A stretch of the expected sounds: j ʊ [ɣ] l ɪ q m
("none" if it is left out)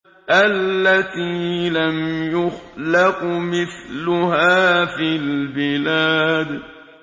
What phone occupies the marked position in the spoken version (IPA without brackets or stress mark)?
x